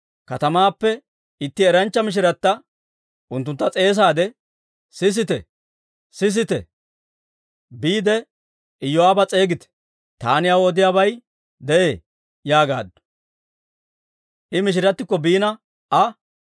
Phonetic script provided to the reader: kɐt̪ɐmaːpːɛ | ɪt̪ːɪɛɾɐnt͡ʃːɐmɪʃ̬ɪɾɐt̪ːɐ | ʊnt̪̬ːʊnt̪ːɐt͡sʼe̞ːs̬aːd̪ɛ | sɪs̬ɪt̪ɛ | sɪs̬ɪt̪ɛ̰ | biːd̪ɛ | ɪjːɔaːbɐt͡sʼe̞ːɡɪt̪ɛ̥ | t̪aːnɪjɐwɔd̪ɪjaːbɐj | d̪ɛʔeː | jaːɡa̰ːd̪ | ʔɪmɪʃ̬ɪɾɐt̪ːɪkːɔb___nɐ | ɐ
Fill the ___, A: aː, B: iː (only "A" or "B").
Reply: B